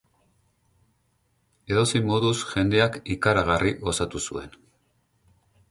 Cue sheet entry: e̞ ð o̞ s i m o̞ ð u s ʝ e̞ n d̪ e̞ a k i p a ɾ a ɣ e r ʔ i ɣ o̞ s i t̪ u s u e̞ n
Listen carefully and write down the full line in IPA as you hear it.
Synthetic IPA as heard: e̞ ð o̞ s i m o̞ ð u s ʝ e̞ n d̪ e̞ a k i k a ɾ a ɣ a r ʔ i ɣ o̞ s a t̪ u s u e̞ n